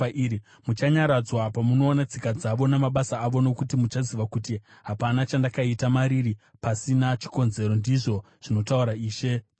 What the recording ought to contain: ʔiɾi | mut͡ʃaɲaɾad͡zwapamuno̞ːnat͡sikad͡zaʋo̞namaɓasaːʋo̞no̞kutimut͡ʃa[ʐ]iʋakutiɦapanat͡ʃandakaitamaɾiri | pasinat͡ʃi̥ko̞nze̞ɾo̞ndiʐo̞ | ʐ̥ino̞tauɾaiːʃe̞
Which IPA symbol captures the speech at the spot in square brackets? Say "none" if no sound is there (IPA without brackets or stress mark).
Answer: z